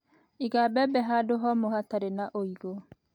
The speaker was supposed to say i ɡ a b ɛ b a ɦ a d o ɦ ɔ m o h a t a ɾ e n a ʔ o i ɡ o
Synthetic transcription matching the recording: i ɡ a b ɛ b ɛ ɦ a d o ɦ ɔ m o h a t a ɾ e n a ʔ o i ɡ o